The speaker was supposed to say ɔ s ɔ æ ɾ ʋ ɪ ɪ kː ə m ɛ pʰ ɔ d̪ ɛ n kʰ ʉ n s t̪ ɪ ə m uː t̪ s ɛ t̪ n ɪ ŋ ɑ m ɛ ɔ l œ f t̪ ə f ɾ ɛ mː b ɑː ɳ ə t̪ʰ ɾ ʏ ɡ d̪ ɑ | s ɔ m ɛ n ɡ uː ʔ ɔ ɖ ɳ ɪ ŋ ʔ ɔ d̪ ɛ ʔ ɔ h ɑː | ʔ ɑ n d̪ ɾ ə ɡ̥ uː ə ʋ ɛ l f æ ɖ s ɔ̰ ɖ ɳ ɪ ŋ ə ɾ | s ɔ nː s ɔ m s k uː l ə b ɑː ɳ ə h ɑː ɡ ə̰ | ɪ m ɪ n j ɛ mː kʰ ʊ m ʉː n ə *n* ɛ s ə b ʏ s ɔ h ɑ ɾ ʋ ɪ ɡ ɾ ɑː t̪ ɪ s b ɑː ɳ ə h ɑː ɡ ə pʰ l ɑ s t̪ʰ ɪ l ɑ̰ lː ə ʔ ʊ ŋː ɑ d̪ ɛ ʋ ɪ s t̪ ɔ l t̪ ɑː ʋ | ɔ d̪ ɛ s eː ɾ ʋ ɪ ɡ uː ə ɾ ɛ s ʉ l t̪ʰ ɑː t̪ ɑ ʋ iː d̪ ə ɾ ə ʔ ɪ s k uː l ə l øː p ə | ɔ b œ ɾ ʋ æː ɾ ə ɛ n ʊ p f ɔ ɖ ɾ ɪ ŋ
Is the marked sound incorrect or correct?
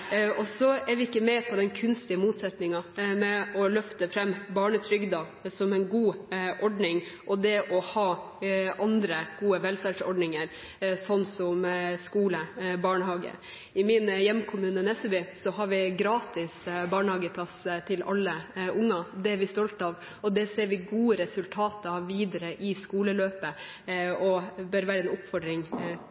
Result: correct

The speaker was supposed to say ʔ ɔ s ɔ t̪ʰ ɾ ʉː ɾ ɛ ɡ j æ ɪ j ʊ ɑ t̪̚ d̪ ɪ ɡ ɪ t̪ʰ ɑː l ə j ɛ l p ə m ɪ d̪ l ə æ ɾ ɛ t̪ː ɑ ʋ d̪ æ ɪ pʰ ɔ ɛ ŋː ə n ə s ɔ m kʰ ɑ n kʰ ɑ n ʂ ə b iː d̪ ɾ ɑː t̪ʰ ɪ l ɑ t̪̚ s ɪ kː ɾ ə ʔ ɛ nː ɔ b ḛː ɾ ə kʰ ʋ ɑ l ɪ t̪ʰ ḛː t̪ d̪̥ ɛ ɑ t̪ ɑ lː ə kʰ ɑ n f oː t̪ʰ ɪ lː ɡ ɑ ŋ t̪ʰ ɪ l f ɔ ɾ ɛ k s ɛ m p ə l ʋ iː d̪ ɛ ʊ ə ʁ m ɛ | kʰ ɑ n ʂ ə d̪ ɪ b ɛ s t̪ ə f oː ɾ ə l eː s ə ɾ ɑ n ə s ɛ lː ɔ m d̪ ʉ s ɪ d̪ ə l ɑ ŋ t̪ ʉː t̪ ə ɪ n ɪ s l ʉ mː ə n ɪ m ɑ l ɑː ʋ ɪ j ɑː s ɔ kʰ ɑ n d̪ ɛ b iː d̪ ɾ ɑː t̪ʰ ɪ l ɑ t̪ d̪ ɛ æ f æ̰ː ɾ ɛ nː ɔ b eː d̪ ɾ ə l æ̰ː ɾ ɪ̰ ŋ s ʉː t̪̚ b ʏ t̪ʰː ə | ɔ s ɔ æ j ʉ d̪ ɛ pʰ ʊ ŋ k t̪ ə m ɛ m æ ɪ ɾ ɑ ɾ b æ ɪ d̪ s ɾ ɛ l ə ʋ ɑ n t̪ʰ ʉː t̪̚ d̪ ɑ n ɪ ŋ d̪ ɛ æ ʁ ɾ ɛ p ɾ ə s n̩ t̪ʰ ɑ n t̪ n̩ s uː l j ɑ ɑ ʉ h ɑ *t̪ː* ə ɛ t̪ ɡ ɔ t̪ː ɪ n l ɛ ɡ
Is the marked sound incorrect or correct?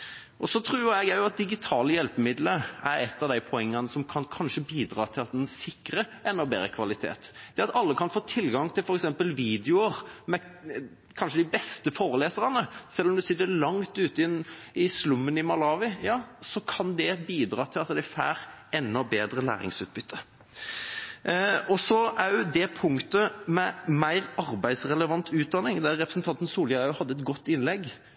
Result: incorrect: d̪ː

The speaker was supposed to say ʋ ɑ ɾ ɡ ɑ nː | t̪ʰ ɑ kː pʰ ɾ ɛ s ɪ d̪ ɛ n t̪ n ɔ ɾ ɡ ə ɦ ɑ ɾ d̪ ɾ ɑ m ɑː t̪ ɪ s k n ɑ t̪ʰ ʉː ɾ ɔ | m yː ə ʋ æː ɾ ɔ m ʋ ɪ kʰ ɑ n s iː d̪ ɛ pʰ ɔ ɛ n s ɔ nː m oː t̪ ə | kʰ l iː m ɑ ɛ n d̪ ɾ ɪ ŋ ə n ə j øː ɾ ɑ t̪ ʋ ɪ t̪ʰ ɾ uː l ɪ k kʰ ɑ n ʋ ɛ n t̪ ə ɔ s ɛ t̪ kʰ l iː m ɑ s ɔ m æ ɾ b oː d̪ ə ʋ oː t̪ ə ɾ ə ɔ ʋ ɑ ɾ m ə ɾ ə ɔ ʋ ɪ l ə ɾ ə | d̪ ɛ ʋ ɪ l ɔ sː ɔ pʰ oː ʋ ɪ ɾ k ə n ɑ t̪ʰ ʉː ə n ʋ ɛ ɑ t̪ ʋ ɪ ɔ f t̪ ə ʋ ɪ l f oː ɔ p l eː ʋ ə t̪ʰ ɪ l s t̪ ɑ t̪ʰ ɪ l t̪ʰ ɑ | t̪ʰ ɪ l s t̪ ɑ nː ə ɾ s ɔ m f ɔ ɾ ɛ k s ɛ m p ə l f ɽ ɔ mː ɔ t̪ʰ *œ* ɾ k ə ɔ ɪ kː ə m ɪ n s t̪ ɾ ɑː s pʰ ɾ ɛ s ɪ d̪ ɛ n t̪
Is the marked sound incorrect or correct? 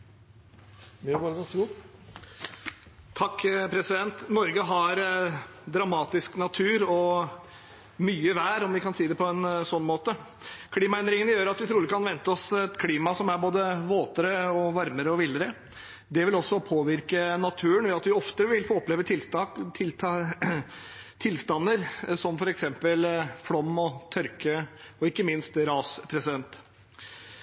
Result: correct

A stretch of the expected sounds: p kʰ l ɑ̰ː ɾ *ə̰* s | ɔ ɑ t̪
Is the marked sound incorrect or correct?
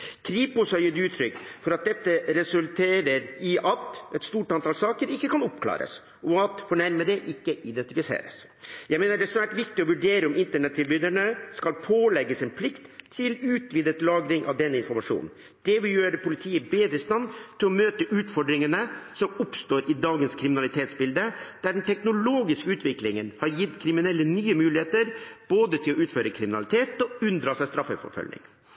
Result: correct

